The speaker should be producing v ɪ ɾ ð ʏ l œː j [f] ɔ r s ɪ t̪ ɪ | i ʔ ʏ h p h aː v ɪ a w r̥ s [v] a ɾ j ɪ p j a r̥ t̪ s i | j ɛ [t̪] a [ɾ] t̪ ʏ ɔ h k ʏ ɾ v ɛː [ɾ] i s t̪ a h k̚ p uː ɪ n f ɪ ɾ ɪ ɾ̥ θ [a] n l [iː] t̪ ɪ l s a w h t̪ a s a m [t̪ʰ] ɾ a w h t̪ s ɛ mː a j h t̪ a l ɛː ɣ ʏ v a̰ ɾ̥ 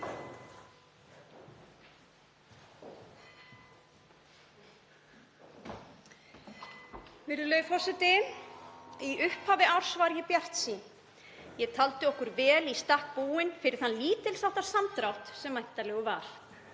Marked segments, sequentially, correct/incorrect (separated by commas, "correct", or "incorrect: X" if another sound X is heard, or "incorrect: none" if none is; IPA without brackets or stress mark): correct, correct, incorrect: t̪ʰ, incorrect: l, incorrect: l, correct, correct, incorrect: t̪